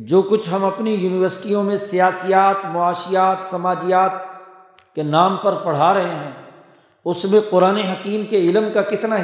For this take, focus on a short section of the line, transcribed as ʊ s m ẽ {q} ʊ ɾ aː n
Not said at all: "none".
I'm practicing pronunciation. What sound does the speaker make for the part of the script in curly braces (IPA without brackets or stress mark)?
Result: q